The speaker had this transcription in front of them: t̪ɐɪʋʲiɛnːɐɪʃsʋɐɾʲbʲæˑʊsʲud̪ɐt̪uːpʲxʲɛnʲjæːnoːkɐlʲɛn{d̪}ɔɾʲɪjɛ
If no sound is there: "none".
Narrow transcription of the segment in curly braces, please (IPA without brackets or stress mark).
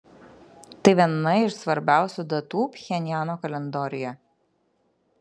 d̪